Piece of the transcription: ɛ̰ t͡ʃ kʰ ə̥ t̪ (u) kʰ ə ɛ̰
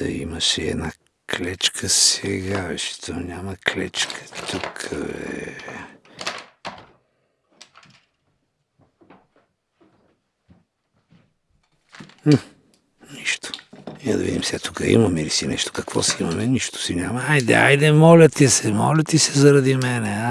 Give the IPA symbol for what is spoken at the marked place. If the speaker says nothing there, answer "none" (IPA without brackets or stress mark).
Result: u